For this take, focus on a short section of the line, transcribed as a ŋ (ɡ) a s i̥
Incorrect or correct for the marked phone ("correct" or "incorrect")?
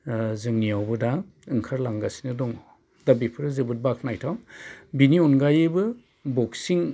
correct